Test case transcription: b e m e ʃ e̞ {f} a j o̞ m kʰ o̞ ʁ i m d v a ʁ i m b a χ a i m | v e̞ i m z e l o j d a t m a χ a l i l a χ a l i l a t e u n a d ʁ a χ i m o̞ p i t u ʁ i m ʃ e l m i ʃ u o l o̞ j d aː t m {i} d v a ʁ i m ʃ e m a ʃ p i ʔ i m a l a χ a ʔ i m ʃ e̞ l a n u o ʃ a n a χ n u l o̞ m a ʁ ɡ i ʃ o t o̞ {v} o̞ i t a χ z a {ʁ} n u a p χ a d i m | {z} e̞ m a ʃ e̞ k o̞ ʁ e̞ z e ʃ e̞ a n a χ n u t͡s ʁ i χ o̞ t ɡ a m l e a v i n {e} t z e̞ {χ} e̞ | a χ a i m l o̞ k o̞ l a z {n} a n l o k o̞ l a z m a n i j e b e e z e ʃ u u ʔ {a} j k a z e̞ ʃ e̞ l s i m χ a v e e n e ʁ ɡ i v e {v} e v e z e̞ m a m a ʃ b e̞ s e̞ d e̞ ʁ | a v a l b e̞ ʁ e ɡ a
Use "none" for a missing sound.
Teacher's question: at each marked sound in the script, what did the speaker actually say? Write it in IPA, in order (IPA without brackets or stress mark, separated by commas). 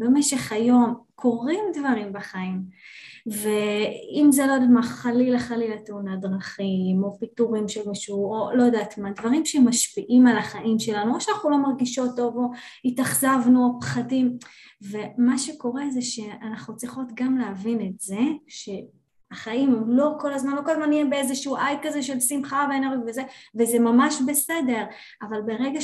χ, a, v, v, v, e, ʃ, m, a, z